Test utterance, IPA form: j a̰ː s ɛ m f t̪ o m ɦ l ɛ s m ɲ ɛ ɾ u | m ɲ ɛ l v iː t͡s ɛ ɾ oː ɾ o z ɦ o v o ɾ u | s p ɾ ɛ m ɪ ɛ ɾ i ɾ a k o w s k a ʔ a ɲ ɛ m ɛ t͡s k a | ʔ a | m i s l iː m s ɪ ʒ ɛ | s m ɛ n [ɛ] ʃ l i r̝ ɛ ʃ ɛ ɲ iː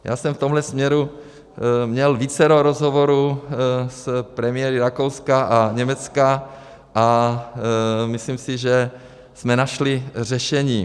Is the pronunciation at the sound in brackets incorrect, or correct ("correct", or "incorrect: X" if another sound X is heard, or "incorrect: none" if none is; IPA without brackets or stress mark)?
incorrect: a